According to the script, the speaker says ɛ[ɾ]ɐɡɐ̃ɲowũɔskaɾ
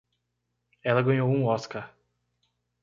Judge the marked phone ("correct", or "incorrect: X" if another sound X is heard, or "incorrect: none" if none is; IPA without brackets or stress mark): incorrect: l